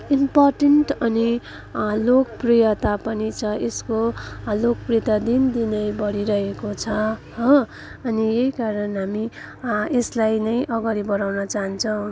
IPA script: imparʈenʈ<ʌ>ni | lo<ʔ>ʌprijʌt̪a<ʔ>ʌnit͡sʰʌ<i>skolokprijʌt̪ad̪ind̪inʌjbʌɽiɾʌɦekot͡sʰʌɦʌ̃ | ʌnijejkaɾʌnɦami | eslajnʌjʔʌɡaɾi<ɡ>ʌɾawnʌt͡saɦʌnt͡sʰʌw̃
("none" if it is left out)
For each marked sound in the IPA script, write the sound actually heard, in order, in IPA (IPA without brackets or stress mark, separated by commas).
ʌ, k, p, e, b